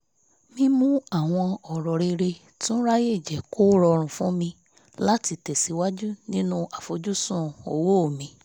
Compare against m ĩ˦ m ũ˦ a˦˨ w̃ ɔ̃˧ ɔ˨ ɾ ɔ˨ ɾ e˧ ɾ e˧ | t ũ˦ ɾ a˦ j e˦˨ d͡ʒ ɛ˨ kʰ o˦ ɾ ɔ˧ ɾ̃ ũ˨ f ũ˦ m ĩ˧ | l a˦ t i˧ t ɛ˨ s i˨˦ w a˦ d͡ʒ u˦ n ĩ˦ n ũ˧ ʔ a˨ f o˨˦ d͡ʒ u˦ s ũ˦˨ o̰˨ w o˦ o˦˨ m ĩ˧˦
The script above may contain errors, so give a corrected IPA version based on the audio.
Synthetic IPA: m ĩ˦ m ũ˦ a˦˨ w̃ ɔ̃˧ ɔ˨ ɾ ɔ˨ ɾ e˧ ɾ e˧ | t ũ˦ ɾ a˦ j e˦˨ d͡ʒ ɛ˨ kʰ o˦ ɾ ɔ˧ ɾ̃ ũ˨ f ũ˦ m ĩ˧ | l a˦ t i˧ t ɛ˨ s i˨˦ w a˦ d͡ʒ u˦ n ĩ˦ n ũ˧ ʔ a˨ f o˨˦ d͡ʒ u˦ s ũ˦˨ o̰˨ w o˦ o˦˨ m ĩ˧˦